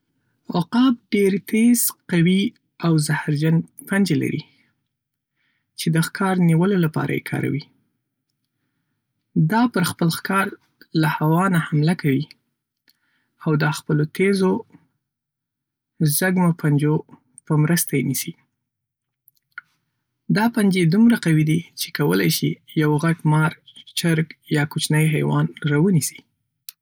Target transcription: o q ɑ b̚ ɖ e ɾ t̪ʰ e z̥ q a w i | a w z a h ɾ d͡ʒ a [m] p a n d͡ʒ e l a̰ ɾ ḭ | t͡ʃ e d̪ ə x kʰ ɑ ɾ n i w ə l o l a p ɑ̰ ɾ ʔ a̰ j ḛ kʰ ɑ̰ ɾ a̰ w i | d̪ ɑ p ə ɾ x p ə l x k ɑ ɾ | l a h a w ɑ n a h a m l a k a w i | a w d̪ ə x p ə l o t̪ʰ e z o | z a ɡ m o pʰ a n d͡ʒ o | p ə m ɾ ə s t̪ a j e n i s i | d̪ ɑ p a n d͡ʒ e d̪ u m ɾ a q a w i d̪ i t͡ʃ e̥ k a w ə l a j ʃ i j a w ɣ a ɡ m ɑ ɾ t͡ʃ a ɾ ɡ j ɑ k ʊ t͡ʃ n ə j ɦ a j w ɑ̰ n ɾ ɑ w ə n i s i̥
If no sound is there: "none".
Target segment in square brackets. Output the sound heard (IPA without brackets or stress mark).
n